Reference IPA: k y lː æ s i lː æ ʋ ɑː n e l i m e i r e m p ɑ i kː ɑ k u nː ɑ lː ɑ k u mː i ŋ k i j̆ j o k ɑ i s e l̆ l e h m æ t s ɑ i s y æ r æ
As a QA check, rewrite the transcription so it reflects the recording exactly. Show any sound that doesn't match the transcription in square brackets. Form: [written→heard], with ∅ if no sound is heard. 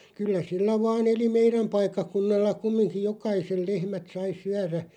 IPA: k y lː æ s i lː æ ʋ ɑː n e l i m e i r [e→æ] m p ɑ i kː ɑ k u nː ɑ lː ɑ k u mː i ŋ k i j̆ j o k ɑ i s e l̆ l e h m æ t s ɑ i s y æ r æ